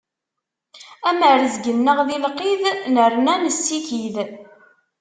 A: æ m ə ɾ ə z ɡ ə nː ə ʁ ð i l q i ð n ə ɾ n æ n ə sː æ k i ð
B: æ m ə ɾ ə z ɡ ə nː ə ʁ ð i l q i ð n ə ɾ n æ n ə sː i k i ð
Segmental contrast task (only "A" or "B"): B